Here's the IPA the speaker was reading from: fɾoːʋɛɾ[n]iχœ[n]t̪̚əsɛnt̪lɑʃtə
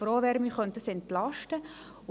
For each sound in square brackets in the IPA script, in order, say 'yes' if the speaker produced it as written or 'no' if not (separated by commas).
no, yes